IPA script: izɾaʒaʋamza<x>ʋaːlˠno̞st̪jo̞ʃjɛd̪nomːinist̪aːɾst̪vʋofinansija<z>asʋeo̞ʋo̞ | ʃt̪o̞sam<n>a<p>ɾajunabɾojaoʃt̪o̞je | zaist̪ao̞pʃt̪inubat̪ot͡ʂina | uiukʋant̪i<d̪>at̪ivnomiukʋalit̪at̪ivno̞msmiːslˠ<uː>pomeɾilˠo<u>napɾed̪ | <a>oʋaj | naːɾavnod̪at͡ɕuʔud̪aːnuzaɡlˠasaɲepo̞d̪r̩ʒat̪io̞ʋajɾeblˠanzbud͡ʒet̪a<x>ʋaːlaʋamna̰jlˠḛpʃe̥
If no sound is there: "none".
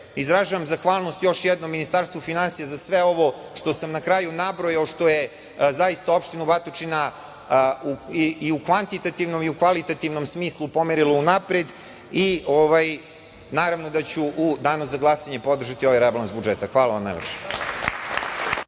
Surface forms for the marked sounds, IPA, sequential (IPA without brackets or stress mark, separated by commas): x, z, n, k, t̪, u, u, i, x